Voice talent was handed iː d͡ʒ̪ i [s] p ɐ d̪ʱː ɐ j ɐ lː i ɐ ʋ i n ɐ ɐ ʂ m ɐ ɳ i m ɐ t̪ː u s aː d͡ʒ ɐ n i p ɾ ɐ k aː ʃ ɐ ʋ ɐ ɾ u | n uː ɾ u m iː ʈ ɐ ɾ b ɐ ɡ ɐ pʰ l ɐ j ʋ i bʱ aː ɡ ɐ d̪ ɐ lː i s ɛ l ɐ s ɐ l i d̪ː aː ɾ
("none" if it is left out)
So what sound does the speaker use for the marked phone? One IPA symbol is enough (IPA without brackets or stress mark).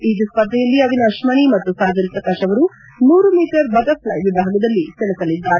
s